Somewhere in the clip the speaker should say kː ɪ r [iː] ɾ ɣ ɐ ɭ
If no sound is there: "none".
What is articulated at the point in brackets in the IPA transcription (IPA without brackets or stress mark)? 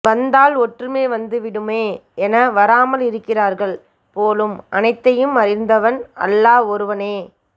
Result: aː